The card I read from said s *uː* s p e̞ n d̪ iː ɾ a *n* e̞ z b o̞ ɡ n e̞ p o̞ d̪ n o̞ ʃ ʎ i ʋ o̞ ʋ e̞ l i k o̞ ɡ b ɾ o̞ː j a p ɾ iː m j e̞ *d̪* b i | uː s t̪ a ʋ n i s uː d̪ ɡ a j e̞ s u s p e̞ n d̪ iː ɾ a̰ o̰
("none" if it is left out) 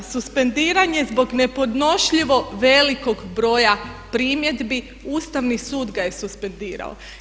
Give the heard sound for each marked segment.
u, ɲ, d̪

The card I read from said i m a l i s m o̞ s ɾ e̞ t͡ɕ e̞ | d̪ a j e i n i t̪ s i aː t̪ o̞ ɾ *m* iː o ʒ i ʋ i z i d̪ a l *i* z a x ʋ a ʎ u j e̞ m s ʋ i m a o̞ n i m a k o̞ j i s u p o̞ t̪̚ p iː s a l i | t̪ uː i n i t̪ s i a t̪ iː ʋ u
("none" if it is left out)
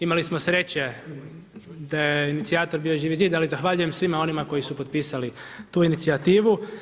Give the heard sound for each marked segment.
b, i

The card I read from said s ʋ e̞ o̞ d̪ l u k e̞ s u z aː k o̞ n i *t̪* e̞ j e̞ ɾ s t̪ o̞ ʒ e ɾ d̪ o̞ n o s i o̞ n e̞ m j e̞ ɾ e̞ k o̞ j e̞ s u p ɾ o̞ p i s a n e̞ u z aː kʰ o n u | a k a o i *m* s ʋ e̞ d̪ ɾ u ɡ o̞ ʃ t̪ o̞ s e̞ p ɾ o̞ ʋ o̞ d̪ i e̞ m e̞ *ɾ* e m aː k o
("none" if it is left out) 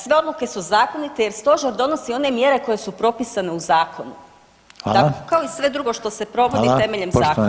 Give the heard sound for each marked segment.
t̪, none, ʎ

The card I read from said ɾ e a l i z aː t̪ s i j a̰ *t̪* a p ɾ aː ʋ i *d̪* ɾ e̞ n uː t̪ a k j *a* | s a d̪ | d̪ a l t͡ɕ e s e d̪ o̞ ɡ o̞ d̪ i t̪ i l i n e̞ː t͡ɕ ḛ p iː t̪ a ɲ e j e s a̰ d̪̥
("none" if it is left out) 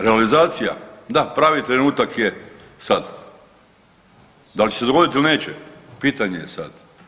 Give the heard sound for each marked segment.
d̪, t̪, e

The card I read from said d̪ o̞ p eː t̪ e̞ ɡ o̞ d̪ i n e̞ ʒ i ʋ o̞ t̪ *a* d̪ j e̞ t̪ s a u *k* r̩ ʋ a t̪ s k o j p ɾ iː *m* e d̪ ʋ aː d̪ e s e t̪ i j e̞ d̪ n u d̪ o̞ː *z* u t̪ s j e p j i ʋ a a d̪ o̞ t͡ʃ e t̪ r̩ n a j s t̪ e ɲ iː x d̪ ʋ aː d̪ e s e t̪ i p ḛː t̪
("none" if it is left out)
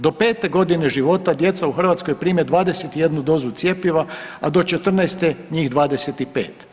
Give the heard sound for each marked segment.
a, x, m, z

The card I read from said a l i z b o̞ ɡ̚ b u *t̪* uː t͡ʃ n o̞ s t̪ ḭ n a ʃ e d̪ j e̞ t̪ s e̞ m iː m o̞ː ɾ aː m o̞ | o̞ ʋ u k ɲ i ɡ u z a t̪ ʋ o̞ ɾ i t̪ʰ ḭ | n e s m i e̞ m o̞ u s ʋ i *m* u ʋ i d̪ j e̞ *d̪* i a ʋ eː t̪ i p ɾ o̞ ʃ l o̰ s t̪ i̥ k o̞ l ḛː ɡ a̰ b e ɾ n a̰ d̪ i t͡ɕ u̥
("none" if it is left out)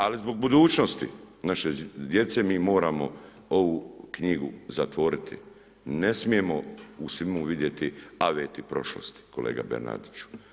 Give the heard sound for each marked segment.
d̪, m, t̪

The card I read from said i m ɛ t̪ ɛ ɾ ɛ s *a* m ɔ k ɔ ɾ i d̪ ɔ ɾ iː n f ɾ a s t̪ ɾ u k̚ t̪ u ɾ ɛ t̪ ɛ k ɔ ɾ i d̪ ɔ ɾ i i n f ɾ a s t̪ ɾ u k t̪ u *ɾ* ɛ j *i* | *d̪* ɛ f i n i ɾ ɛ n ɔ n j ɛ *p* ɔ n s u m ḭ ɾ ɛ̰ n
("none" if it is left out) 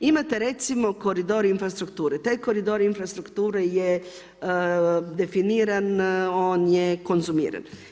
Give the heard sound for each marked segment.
i, ɾ, ɛ, d̪, k

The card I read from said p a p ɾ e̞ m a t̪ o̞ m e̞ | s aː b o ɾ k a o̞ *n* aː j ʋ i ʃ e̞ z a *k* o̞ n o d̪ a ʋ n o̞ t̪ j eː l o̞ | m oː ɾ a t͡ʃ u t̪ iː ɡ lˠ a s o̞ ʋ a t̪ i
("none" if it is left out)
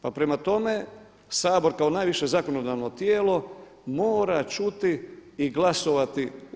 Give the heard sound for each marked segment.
n, k

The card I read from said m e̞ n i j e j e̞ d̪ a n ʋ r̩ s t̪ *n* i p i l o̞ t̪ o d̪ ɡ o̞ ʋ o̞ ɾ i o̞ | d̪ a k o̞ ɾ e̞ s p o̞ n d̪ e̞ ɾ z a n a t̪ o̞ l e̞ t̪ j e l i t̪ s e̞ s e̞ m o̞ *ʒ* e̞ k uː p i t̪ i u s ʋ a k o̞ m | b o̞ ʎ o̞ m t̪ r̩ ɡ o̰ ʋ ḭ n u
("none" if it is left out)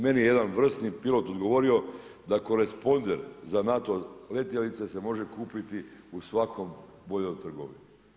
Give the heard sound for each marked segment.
n, ʒ

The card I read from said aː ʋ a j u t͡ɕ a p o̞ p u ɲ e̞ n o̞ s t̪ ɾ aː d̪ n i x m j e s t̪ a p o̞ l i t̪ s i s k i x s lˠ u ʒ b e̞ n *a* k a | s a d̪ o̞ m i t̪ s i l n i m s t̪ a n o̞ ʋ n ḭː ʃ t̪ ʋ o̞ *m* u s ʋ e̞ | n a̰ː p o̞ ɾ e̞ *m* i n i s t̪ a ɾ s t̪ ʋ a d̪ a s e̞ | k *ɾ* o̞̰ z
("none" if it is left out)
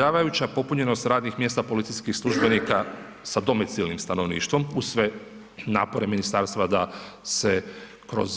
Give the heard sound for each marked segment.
i, m, m, ɾ

